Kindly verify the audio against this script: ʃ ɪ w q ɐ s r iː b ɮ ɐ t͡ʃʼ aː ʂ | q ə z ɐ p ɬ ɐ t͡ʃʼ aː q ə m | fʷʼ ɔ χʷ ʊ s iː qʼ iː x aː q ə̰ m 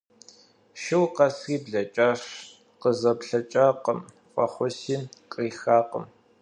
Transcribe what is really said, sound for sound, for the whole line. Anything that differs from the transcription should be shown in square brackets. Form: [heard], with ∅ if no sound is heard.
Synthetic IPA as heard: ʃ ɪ w q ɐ s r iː b ɮ ɐ t͡ʃʼ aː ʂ | q ə z ɐ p ɬ ɐ t͡ʃʼ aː q ə m | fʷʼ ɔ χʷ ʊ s iː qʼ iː x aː q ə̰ m